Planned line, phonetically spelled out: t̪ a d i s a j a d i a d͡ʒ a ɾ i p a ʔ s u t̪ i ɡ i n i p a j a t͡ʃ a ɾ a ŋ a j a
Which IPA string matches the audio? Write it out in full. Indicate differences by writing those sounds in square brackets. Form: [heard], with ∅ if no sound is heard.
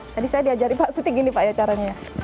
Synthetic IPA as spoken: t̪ a d i s a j a d i a d͡ʒ a ɾ i p a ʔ s u t̪ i ɡ i n i p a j a t͡ʃ a ɾ a [ɲ] a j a